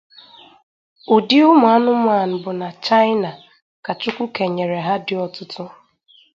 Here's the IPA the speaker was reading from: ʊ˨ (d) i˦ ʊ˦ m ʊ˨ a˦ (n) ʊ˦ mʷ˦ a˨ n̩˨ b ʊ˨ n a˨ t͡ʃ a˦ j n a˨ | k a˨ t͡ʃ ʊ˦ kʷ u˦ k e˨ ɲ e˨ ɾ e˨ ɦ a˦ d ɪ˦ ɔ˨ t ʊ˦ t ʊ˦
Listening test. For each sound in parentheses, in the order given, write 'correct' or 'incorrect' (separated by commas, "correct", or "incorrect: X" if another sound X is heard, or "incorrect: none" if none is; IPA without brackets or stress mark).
correct, correct